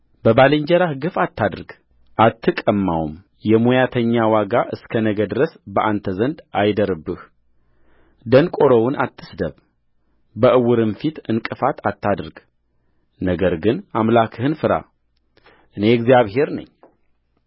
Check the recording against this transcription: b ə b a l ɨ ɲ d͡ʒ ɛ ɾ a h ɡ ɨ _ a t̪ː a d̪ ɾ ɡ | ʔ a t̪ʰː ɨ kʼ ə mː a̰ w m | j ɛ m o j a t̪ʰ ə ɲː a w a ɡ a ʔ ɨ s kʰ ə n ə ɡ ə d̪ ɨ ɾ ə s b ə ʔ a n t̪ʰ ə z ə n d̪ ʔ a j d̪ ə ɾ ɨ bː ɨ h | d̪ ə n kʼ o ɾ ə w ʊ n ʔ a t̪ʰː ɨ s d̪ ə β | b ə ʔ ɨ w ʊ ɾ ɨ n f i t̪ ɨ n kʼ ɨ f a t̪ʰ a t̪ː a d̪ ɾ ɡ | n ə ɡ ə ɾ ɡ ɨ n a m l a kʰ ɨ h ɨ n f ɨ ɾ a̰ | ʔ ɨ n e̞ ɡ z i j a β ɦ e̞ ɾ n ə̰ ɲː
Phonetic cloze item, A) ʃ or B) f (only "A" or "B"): B